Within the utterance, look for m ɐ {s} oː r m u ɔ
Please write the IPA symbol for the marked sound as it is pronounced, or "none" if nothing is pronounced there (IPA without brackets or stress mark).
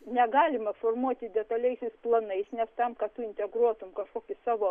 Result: f